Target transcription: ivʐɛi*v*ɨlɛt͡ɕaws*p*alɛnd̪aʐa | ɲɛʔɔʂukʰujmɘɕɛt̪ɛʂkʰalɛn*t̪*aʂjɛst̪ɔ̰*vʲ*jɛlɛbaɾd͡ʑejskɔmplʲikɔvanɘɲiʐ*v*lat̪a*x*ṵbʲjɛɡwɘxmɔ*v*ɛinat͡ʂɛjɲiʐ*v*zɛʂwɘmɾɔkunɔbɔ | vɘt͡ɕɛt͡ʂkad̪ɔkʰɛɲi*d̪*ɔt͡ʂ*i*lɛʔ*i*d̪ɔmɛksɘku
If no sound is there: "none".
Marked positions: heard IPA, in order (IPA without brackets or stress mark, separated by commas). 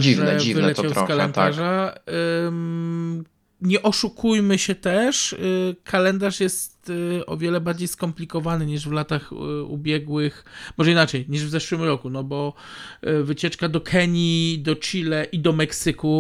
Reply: v, k, d̪, vʲ, v, x, ʐ, v, d̪, i, i